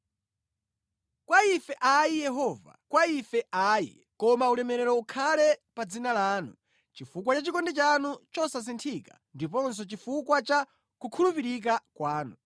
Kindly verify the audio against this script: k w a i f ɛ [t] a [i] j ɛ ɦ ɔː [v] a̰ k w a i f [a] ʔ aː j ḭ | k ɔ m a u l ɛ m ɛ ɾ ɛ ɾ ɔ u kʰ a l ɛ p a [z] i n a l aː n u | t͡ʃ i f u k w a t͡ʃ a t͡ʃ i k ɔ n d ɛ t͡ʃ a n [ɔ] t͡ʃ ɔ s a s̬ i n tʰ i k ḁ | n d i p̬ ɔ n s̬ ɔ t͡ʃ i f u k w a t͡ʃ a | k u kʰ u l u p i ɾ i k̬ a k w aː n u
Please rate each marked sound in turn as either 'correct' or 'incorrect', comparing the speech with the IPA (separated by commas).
incorrect, correct, correct, incorrect, incorrect, incorrect